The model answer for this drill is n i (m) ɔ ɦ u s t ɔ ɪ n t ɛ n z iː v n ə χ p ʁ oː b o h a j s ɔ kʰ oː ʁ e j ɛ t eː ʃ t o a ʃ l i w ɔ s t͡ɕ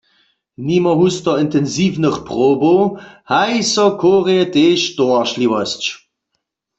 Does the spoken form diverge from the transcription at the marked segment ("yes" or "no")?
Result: no